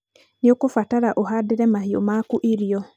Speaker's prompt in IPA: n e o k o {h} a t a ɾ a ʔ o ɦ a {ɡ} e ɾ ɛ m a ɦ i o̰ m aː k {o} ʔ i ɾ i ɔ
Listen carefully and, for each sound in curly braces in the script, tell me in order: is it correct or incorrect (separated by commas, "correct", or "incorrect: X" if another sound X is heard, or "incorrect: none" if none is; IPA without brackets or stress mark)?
incorrect: f, incorrect: d, incorrect: u